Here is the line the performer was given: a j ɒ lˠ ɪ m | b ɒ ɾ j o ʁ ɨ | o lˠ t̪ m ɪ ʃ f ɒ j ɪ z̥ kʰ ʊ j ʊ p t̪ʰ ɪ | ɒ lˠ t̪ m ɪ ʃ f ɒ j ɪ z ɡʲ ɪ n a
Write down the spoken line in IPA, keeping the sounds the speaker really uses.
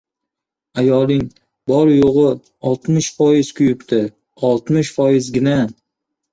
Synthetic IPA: a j ɒ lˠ ɪ ŋ | b ɒ ɾ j o ʁ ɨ | ɒ lˠ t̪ m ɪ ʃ f ɒ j ɪ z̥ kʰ ʊ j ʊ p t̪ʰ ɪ | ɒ lˠ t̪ m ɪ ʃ f ɒ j ɪ z ɡʲ ɪ n a